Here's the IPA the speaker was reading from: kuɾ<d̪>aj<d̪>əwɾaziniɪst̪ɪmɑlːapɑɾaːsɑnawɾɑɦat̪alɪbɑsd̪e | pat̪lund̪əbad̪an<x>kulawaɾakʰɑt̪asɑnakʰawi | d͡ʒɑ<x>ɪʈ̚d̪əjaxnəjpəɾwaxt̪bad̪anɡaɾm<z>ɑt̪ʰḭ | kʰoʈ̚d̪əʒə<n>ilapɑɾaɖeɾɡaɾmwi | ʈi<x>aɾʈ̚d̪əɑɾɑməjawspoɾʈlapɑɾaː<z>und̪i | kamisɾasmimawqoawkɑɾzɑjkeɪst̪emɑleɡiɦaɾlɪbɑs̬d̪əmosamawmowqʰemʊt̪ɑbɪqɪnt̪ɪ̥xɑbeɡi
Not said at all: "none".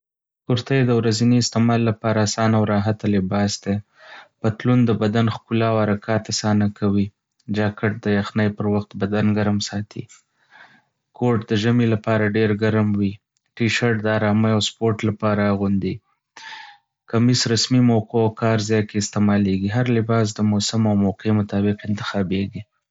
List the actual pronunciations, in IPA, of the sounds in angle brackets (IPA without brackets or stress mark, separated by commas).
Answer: t̪, d̪, x, k, s, m, ʃ, ɣ